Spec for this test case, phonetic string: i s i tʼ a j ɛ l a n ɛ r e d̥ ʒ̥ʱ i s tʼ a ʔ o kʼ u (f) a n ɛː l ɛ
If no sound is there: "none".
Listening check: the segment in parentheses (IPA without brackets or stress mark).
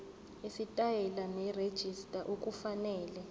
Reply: f